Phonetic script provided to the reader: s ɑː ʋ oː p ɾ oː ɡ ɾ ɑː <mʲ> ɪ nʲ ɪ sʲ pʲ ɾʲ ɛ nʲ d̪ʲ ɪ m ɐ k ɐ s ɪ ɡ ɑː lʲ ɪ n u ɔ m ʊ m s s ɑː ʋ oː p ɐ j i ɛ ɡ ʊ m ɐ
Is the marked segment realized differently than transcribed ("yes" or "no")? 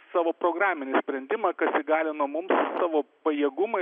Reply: no